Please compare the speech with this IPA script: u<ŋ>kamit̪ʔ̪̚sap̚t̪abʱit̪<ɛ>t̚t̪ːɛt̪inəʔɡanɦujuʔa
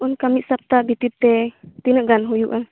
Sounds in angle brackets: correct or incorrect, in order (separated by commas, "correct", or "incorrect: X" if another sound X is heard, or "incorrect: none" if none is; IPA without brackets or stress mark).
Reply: incorrect: n, incorrect: i